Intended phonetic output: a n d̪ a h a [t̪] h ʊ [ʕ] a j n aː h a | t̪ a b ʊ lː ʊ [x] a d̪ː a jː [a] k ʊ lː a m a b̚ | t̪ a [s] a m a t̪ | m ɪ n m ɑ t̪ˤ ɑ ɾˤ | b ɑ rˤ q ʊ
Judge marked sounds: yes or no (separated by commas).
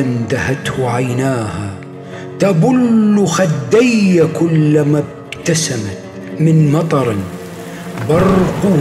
yes, yes, yes, yes, yes